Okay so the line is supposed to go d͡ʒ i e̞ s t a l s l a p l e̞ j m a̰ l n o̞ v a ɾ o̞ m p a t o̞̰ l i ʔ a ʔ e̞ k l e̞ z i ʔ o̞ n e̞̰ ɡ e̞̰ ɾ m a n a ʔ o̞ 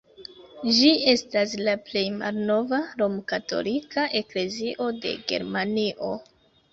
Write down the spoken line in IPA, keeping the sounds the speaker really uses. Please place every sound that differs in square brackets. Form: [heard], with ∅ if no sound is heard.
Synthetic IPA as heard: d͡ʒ i e̞ s t a [∅] s l a p l e̞ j m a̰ l n o̞ v a ɾ o̞ m [k] a t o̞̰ l i [k] a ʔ e̞ k l e̞ z i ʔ o̞ [d] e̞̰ ɡ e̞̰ ɾ m a n [i] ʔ o̞